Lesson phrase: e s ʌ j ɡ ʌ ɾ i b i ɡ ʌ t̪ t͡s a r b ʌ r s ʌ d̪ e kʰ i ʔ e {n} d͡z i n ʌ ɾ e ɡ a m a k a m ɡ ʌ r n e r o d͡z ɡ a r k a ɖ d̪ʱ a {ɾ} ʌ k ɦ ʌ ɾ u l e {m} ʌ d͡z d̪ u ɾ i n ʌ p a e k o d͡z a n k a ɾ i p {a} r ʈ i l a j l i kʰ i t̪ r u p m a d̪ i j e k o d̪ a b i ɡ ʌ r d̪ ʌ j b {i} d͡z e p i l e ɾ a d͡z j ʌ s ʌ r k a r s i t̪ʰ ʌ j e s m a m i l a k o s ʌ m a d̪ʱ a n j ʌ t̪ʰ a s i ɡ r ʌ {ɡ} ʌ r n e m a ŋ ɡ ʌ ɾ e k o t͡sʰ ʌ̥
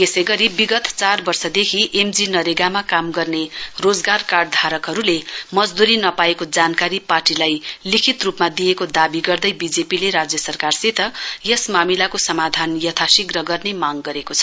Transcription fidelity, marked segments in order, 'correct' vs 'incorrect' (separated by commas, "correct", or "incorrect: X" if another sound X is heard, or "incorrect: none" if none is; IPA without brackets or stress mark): incorrect: m, correct, correct, correct, correct, correct